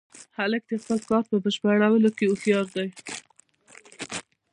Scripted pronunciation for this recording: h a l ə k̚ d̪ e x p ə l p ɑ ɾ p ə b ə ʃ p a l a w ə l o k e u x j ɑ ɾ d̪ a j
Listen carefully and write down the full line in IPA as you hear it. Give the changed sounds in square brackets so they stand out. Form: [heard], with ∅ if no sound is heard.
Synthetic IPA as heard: h a l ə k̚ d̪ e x p ə l [k] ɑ ɾ p ə b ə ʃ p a [ɽ] a w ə l o k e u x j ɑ ɾ d̪ a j

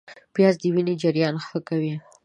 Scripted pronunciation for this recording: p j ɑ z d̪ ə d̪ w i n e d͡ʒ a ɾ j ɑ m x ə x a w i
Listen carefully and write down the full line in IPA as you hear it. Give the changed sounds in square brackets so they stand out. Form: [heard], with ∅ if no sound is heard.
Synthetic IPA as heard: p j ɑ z d̪ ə [∅] w i n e d͡ʒ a ɾ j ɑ [n] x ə [k] a w i

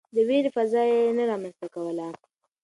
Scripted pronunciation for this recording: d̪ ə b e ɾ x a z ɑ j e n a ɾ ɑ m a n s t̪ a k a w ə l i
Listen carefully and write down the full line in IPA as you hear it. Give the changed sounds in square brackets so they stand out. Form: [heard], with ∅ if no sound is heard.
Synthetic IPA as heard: d̪ ə [w] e ɾ [f] a z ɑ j e n a ɾ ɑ m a n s t̪ a k a w ə l [a]

